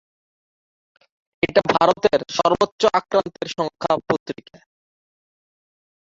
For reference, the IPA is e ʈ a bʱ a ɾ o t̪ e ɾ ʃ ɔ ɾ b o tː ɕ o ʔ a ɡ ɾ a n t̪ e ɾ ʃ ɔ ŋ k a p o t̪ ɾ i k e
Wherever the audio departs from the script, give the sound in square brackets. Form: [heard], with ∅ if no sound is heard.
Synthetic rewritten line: e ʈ a bʱ a ɾ o t̪ e ɾ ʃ ɔ ɾ b o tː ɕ o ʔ a [k] ɾ a n t̪ e ɾ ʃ ɔ ŋ [kʰ] a p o t̪ ɾ i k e